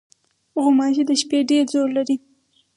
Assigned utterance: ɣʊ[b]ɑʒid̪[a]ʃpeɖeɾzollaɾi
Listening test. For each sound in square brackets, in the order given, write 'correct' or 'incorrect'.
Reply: incorrect: m, incorrect: ə

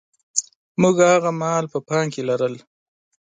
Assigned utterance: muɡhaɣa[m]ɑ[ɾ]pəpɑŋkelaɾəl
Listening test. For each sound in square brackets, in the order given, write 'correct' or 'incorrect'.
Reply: correct, incorrect: l

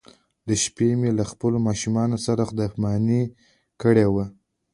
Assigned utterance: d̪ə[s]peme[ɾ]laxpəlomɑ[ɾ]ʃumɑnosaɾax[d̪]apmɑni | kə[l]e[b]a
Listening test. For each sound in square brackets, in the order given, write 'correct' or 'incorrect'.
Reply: incorrect: ʃ, incorrect: none, incorrect: none, correct, incorrect: ɽ, incorrect: w

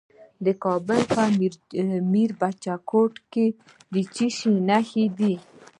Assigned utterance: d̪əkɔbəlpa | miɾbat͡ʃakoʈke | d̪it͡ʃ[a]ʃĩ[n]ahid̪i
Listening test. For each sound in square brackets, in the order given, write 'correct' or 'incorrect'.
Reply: incorrect: i, correct

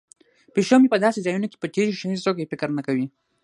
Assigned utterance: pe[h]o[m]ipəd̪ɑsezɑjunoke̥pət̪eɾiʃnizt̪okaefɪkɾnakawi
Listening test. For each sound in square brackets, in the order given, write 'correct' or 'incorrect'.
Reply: incorrect: ʃ, correct

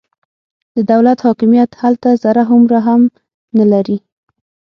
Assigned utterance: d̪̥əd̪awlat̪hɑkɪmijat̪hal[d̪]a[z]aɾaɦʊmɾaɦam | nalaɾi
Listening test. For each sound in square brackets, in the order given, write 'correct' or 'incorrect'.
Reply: incorrect: t̪, correct

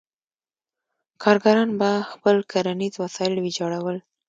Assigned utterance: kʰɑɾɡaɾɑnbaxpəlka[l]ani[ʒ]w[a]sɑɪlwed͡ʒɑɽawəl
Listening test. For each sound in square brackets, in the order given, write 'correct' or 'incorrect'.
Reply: incorrect: ɾ, incorrect: z, correct

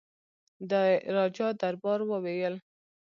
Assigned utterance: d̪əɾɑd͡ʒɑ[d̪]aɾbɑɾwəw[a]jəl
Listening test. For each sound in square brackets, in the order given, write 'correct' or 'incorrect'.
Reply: correct, incorrect: e

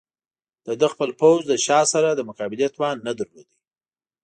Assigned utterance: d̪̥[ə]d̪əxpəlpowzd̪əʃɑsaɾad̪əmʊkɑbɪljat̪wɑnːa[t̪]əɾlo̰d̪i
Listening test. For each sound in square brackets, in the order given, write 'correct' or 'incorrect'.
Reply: correct, incorrect: d̪

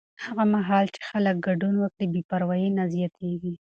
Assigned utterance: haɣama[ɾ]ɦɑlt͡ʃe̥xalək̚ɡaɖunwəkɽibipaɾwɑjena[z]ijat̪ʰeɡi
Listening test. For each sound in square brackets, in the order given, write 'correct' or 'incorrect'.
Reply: incorrect: none, correct

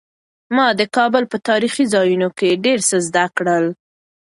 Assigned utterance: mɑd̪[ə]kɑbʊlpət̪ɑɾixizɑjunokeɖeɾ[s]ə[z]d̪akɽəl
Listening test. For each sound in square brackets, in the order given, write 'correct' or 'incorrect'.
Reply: correct, correct, correct

